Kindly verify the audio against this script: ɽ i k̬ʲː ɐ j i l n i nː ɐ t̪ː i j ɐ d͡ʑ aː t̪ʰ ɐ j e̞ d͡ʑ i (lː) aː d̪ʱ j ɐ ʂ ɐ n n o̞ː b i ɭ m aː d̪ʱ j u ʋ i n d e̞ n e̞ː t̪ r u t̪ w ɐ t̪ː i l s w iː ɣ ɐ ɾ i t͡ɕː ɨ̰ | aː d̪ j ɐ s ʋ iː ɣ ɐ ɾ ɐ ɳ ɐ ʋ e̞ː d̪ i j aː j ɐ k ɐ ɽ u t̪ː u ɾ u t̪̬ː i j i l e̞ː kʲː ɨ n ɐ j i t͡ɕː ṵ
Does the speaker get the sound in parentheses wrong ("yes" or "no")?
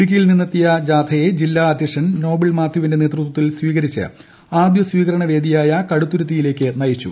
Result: no